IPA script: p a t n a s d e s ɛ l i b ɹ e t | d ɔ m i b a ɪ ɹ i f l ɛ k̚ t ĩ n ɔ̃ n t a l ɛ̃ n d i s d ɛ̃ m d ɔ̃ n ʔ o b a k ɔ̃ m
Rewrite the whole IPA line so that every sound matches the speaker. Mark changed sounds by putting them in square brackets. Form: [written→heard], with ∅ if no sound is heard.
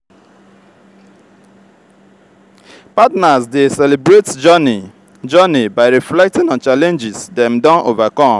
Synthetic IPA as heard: p a t n a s d e s ɛ l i b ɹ e t | [d→d͡ʒ] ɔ [m→n] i b a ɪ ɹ i f l ɛ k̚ t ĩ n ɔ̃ n [t→t͡ʃ] a l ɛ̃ n [d→d͡ʒ] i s d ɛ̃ m d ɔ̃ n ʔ o [b→v] a k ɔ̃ m